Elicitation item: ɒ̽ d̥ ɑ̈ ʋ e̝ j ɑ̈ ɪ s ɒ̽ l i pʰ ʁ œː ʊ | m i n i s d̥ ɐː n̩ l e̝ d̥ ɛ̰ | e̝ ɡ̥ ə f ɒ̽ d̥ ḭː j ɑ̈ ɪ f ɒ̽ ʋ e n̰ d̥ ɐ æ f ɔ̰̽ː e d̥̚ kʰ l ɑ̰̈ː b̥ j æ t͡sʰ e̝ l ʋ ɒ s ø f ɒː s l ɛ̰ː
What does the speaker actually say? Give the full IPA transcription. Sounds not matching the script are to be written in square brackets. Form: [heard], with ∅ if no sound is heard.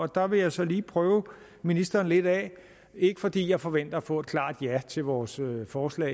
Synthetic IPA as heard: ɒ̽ d̥ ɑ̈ ʋ e̝ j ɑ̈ ɪ s ɒ̽ l [iː] pʰ ʁ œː ʊ | m i n i s d̥ ɐː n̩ l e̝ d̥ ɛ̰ | e̝ ɡ̥ ə f ɒ̽ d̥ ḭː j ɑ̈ ɪ f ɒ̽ ʋ e n̰ d̥ ɐ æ f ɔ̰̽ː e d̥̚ kʰ l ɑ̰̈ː [d̥] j æ t͡sʰ e̝ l ʋ [ɒː] s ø f ɒː s l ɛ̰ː